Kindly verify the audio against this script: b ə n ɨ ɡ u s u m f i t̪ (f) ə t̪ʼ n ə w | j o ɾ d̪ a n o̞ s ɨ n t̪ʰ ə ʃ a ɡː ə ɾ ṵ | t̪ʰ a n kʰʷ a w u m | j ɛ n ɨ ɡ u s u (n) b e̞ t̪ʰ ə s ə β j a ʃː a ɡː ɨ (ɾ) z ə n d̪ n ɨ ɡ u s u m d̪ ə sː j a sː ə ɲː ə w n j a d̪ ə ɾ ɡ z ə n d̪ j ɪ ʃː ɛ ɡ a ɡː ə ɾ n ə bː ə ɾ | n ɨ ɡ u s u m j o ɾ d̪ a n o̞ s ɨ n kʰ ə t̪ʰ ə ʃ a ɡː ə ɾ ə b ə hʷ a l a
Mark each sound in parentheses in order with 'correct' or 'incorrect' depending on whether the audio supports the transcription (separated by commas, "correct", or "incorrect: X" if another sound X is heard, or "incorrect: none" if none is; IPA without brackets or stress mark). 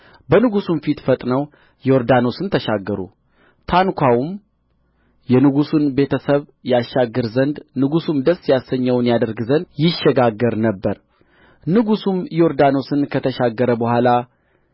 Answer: correct, correct, correct